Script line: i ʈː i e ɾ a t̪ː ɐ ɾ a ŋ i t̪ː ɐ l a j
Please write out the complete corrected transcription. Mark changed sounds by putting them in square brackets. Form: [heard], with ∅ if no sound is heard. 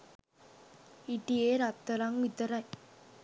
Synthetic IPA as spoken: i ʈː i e ɾ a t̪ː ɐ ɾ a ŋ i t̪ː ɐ [ɾ] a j